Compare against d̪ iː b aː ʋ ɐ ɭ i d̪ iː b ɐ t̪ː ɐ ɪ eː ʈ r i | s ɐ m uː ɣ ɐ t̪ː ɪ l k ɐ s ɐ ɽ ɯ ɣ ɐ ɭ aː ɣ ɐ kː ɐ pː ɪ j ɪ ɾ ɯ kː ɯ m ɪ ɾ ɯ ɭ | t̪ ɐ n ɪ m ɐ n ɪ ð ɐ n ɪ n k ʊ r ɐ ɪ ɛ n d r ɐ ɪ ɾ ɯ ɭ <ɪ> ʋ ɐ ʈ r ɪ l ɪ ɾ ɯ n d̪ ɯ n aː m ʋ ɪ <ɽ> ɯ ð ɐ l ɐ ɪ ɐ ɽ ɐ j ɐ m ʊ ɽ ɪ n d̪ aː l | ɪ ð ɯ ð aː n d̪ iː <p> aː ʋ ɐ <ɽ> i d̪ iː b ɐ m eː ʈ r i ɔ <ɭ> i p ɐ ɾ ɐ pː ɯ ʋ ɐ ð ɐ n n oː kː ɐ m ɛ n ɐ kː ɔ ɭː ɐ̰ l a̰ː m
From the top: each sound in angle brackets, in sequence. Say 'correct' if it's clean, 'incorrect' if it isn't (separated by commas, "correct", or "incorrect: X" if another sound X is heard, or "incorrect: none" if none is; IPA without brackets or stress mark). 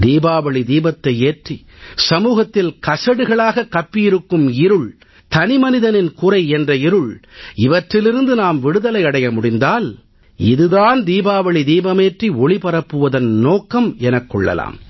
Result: correct, correct, incorrect: b, incorrect: ɭ, correct